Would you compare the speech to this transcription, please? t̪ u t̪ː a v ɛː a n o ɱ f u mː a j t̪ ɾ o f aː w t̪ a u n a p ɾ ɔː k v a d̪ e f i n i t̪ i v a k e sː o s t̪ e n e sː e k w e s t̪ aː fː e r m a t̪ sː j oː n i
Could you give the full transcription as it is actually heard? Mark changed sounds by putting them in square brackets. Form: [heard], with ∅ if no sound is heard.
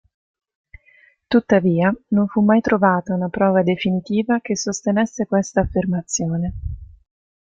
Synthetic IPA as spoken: t̪ u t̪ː a v [iː] a n o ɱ f u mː a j t̪ ɾ o [v] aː [∅] t̪ a u n a p ɾ ɔː [∅] v a d̪ e f i n i t̪ [iː] v a k e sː o s t̪ e n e sː e k w e s t̪ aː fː e r m a t̪ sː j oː n [e]